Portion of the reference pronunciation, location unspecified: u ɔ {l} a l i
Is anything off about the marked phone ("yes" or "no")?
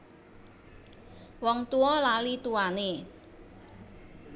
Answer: no